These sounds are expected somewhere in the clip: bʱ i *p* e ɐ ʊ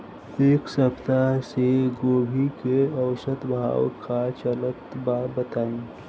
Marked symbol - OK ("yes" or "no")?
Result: no